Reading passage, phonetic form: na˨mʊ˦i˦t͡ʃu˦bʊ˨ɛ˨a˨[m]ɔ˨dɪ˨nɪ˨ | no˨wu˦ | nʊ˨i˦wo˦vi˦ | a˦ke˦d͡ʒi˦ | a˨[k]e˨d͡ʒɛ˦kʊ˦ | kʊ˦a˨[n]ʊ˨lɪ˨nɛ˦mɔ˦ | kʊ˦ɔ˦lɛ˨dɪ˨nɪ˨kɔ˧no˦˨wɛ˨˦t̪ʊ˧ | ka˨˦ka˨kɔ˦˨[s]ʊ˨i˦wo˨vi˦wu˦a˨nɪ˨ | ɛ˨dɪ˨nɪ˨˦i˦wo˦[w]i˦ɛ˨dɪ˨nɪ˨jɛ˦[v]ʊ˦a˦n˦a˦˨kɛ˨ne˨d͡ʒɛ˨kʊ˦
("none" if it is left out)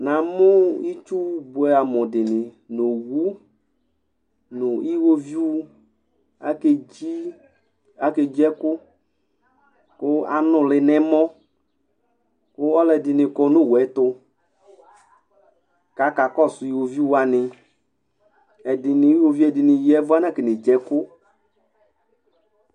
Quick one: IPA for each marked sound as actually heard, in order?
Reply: m, k, n, s, v, v

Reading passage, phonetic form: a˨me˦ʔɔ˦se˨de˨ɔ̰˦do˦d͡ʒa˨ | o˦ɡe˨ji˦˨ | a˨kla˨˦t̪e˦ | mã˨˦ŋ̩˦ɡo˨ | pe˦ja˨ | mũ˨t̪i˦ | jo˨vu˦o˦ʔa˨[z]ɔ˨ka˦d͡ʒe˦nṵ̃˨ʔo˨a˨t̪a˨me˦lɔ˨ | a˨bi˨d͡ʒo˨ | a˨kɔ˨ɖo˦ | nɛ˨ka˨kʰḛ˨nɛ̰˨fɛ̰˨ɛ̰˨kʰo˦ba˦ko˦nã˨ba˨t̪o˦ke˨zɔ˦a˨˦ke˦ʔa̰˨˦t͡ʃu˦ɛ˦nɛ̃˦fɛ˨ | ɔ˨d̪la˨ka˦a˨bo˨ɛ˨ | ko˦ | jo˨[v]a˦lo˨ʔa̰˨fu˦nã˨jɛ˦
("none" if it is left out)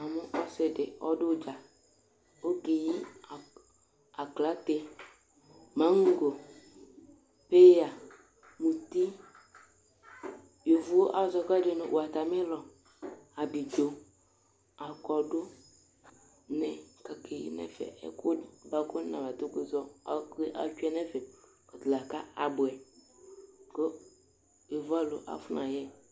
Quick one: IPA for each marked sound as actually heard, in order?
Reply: z, v

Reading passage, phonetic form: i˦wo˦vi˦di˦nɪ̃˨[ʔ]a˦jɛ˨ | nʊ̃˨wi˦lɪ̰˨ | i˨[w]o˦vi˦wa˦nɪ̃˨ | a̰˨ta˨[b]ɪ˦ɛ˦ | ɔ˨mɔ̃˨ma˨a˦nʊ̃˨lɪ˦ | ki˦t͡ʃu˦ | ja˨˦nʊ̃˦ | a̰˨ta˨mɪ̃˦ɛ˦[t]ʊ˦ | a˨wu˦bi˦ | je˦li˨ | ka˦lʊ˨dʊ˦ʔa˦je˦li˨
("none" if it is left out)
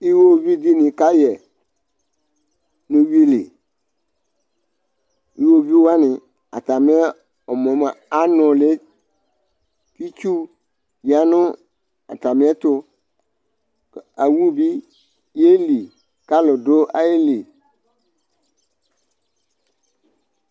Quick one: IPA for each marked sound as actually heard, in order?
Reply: k, w, m, t

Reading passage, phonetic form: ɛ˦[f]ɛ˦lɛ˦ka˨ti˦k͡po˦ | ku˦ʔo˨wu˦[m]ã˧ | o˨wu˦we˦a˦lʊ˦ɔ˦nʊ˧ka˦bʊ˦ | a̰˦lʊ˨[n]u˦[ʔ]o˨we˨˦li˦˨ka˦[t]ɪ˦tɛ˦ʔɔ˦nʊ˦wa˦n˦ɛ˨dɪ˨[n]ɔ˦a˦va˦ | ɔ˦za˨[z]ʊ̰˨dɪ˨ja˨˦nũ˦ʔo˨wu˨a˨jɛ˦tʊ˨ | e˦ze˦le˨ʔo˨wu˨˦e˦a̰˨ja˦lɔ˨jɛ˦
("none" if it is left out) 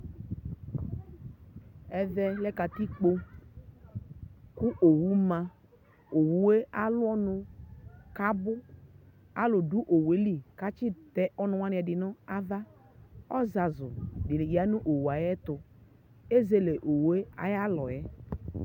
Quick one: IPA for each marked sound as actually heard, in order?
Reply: v, m, d, ʔ, t͡ʃ, n, z

